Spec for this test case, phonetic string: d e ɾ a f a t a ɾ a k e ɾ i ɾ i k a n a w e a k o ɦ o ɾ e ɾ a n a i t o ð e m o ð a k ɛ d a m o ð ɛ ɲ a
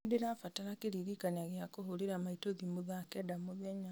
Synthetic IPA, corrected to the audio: d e ɾ a f a t a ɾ a k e ɾ i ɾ i k a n a ɣ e a k o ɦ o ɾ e ɾ a m a i t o ð i m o ð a k ɛ d a m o ð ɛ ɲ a

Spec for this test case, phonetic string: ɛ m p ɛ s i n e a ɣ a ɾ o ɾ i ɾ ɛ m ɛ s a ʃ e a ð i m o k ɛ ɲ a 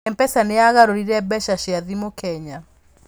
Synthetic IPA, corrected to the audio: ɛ m p ɛ s a n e a ɣ a ɾ o ɾ i ɾ ɛ b ɛ ʃ a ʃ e a ð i m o k ɛ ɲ a

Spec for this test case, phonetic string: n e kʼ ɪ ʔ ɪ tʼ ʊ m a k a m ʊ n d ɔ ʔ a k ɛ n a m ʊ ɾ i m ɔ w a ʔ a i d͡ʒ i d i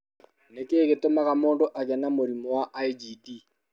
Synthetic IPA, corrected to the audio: n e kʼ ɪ k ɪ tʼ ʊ m a k a m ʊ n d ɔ ʔ a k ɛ n a m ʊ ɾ i m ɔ w a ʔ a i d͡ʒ i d i

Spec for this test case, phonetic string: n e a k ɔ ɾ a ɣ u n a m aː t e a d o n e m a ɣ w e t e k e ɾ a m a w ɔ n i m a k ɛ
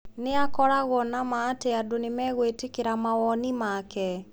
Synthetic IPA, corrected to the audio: n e a k ɔ ɾ a ɣ ɔ n a m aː t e a d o n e m ɛ ɣ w e t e k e ɾ a m a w ɔ n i m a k ɛ

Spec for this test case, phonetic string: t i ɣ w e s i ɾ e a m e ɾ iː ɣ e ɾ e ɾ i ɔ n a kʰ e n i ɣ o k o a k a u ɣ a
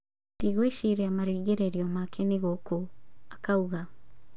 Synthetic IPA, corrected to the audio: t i ɣ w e ʃ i ɾ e a m a ɾ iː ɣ e ɾ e ɾ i ɔ m a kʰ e n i ɣ o k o a k a u ɣ a

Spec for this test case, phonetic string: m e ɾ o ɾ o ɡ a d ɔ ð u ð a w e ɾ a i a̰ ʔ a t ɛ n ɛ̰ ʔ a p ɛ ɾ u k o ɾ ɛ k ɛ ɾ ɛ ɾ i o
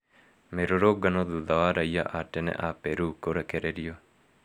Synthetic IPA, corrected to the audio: m e ɾ o ɾ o ɡ a n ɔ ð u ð a w a ɾ a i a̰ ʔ a t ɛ n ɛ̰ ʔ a p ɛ ɾ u k o ɾ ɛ k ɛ ɾ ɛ ɾ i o

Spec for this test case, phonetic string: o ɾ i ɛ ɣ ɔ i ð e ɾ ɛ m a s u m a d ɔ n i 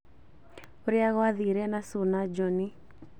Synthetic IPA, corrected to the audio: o ɾ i a ɣ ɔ a ð i ɾ ɛ n a s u n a d͡ʒ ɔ n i

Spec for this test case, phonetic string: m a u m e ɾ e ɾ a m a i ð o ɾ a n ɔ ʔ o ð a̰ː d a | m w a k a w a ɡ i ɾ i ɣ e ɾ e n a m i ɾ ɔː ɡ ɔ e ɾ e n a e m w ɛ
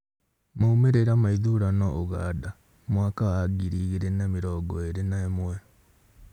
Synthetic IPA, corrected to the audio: m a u m e ɾ e ɾ a m a i ð u ɾ a n ɔ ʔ o ɣ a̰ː d a | m w a k a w a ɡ i ɾ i ɣ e ɾ e n a m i ɾ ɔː ɡ ɔ e ɾ e n a e m w ɛ

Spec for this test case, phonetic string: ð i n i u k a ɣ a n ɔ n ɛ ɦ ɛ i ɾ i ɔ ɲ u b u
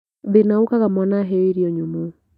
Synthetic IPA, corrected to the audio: ð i n a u k a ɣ a m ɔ n a ɦ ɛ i ɾ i ɔ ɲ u m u

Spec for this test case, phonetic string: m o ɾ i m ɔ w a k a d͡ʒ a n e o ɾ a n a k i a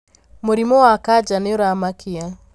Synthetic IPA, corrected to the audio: m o ɾ i m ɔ w a k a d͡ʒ a n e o ɾ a m a k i a

